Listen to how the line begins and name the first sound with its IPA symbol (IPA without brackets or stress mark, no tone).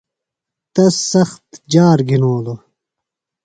t̪